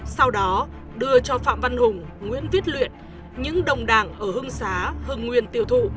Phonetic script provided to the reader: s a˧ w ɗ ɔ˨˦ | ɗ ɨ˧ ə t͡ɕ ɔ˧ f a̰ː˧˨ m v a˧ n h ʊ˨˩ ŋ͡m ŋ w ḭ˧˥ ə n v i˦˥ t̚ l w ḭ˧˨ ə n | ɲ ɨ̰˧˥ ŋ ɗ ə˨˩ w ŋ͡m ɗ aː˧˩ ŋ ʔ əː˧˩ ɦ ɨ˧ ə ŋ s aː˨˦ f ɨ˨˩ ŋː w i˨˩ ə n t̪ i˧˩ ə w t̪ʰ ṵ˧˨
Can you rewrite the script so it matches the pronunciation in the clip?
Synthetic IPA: s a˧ w ɗ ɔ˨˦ | ɗ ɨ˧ ə t͡ɕ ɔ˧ f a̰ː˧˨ m v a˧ n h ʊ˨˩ ŋ͡m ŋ w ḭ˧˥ ə n v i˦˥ t̚ l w ḭ˧˨ ə n | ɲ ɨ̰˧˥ ŋ ɗ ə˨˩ w ŋ͡m ɗ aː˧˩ ŋ ʔ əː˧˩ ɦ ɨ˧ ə ŋ s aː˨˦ h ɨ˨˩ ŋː w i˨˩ ə n t̪ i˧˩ ə w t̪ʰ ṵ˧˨